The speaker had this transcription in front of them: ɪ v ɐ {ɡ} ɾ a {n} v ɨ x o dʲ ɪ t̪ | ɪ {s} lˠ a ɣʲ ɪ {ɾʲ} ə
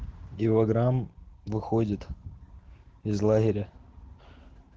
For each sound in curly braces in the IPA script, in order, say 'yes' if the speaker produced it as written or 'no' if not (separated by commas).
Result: yes, no, no, yes